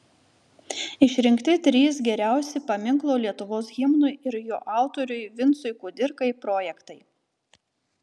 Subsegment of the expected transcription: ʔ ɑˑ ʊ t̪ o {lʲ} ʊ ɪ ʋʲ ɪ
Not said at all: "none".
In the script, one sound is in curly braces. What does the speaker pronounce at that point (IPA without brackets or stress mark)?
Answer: ɾʲ